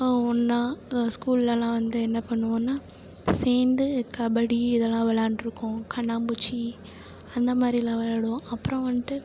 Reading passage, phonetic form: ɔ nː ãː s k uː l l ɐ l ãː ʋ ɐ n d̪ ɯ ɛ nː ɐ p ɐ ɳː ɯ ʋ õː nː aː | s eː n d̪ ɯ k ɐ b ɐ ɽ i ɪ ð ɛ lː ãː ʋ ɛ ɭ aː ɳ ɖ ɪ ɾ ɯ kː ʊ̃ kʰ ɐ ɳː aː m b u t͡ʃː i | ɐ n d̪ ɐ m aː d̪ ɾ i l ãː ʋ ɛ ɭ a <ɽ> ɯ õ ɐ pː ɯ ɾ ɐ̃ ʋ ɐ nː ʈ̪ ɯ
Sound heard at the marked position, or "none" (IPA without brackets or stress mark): ɽ